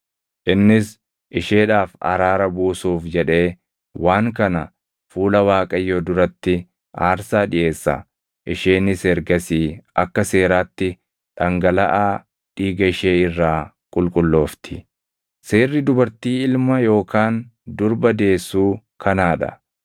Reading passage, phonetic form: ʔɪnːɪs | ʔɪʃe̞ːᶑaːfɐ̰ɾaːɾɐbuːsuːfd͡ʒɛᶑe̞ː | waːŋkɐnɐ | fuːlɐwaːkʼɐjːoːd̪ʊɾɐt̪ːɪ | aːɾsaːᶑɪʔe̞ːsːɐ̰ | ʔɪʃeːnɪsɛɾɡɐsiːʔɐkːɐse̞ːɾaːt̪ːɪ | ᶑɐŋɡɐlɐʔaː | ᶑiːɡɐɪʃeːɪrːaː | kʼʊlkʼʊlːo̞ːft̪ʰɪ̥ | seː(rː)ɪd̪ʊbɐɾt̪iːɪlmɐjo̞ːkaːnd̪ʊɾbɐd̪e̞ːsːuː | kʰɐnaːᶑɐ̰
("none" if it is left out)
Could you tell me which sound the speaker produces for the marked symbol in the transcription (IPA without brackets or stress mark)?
rː